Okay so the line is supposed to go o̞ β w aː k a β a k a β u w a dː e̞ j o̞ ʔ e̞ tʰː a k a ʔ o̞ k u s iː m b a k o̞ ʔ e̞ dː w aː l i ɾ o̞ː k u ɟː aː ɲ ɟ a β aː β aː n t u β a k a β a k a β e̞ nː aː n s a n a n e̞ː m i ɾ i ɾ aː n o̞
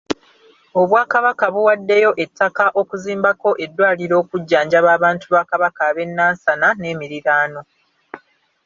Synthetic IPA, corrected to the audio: o̞ β w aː k a β a k a β u w a dː e̞ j o̞ ʔ e̞ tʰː a k a ʔ o̞ k u z iː m b a k o̞ ʔ e̞ dː w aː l i ɾ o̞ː k u ɟː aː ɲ ɟ a β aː β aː n t u β a k a β a k a β e̞ nː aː n s a n a n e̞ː m i ɾ i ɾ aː n o̞